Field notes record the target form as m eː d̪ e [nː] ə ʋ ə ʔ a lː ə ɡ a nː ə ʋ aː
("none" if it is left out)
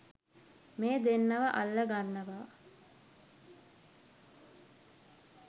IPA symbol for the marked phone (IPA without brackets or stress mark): nː